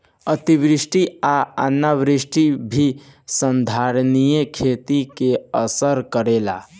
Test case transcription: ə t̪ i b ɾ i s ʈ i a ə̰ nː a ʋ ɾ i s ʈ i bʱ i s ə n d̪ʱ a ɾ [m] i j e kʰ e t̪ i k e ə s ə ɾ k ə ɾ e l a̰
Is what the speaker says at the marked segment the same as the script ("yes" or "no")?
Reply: no